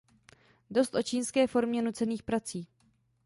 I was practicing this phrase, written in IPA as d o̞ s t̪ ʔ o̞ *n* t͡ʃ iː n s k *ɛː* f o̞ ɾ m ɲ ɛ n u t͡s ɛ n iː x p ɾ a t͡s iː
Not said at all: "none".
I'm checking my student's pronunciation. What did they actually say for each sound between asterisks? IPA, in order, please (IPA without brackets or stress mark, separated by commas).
none, ɛː